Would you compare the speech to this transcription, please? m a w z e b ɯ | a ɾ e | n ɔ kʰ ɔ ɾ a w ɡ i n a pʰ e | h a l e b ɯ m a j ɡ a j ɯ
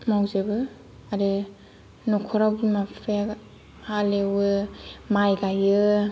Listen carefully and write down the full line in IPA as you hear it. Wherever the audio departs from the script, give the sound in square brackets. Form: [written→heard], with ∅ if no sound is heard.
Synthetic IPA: m a w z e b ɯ | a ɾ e | n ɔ kʰ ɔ ɾ a w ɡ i [n→m] a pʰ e | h a l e [b→w] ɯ m a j ɡ a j ɯ